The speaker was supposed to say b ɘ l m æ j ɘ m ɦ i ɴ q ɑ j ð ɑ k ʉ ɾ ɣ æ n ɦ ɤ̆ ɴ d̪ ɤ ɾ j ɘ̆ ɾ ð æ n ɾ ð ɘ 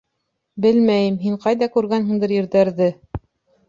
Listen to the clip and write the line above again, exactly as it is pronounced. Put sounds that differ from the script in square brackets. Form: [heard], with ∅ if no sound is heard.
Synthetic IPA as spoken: b ɘ l m æ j ɘ m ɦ i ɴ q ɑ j ð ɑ k ʉ ɾ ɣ æ n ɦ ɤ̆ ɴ d̪ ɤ ɾ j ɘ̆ ɾ ð æ [∅] ɾ ð ɘ